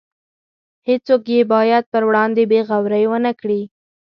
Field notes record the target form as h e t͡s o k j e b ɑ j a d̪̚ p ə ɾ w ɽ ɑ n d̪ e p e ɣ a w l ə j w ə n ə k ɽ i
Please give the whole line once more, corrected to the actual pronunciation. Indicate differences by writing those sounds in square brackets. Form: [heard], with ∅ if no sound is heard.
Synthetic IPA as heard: h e t͡s o k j e b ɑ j a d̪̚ p ə ɾ w ɽ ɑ n d̪ e [b] e ɣ a w [ɾ] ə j w ə n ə k ɽ i